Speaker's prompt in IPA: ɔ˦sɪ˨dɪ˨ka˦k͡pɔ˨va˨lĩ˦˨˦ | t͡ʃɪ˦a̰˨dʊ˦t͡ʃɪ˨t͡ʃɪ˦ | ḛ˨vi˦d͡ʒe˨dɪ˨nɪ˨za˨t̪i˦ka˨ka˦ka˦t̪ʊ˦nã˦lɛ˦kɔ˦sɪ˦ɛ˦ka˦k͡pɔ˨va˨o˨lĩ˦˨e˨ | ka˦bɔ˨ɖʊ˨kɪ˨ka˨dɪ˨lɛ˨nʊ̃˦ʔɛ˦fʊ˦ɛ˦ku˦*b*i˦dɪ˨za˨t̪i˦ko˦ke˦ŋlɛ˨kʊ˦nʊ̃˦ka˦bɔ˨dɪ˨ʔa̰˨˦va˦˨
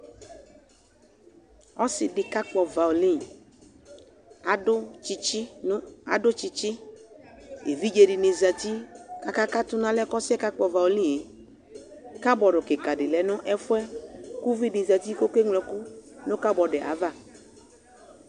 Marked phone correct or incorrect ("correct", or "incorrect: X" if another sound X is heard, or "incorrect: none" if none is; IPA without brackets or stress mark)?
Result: incorrect: v